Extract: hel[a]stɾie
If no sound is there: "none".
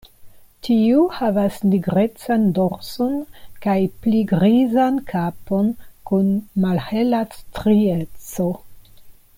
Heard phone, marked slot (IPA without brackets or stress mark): a